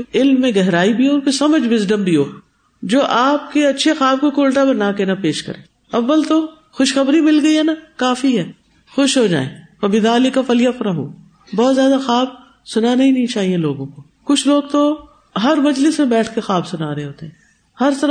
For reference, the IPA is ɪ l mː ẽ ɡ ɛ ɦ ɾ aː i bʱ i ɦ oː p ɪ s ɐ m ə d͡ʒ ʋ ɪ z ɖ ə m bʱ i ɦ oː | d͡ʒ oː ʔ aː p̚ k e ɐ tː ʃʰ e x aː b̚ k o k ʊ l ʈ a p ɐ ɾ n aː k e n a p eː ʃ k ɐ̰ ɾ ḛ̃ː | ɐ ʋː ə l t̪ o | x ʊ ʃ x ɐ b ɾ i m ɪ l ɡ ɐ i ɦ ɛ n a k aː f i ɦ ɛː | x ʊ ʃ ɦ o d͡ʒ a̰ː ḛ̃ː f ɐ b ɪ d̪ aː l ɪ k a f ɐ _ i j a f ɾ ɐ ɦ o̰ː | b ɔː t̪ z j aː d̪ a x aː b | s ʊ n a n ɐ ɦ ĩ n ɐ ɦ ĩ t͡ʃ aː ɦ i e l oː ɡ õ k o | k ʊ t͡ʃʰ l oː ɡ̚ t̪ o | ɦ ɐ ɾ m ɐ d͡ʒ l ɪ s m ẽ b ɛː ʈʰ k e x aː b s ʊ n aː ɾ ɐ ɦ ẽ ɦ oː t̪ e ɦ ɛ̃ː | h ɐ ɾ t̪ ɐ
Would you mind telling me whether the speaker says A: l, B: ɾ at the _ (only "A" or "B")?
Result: A